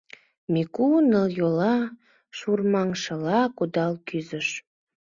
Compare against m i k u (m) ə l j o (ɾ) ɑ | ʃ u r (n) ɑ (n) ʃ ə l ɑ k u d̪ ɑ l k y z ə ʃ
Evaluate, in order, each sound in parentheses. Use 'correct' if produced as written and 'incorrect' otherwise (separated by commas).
incorrect, incorrect, incorrect, incorrect